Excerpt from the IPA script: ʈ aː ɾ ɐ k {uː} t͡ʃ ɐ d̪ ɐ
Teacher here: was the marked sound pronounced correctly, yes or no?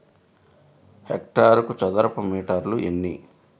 no